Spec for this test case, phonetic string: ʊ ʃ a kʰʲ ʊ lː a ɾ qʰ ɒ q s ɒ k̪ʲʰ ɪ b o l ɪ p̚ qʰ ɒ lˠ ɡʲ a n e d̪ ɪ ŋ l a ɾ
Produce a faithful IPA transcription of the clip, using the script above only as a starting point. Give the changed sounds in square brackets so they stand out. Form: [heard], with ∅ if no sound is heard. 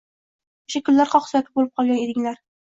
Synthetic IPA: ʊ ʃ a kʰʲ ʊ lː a ɾ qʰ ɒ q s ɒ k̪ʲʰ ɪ b o l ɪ p̚ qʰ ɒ lˠ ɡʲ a n e d̪ ɪ ŋ l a ɾ